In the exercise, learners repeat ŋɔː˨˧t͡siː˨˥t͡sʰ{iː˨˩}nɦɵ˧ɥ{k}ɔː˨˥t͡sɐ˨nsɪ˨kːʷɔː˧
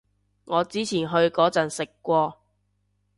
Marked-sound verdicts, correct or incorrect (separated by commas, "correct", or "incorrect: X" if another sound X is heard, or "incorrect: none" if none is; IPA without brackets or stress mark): correct, correct